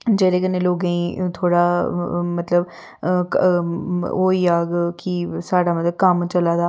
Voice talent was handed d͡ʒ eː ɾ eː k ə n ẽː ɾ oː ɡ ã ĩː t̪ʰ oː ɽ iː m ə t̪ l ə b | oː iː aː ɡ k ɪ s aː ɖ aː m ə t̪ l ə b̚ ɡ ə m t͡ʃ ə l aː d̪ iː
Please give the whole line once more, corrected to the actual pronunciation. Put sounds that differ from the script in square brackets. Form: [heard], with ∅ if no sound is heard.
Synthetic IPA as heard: d͡ʒ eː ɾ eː k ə n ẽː [l] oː ɡ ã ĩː t̪ʰ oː ɽ [aː] m ə t̪ l ə b | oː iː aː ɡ k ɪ s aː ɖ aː m ə t̪ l ə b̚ [k] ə m t͡ʃ ə l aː d̪ [aː]